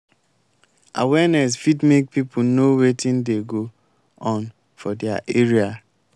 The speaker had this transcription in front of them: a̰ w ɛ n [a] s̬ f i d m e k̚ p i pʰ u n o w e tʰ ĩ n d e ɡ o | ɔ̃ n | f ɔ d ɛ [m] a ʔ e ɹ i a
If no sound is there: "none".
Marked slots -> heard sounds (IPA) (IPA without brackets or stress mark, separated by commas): ɛ, none